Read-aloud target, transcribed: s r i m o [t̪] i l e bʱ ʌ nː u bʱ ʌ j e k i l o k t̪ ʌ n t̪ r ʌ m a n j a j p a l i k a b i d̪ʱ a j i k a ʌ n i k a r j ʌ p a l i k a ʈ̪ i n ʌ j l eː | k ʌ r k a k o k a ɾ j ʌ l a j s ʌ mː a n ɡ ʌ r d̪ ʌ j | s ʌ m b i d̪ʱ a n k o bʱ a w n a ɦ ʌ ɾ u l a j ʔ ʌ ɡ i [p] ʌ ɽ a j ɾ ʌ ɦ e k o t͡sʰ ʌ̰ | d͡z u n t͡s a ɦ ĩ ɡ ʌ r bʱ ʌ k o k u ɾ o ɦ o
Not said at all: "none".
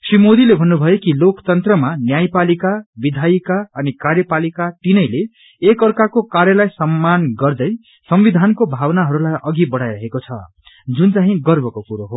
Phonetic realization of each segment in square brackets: d̪, b

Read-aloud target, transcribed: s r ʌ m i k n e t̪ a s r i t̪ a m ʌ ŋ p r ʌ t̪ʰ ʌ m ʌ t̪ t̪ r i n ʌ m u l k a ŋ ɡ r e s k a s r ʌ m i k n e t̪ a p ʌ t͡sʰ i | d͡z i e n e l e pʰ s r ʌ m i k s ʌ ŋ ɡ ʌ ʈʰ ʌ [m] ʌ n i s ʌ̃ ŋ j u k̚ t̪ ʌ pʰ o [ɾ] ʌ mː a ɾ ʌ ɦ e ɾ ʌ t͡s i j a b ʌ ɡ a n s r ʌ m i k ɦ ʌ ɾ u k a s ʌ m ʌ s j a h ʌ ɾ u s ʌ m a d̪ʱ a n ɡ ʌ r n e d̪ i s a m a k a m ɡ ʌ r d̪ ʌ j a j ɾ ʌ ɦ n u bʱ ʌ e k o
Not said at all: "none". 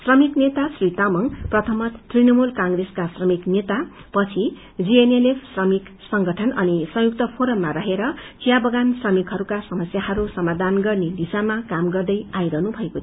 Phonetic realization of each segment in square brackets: n, ɾ

